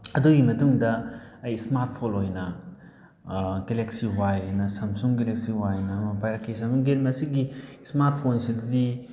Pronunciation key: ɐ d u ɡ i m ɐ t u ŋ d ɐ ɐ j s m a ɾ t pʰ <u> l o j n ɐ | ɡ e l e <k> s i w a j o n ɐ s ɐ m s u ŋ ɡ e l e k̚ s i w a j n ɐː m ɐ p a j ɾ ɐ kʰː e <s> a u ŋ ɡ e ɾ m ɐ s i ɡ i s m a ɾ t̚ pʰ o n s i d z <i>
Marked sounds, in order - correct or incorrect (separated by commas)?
incorrect, correct, correct, correct